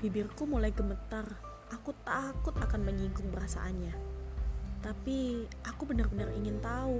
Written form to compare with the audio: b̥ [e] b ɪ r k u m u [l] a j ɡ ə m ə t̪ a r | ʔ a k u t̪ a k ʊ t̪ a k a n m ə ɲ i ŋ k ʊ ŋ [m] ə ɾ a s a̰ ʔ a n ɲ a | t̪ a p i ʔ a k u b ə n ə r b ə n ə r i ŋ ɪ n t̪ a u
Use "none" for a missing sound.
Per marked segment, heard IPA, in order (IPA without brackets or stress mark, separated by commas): i, l, b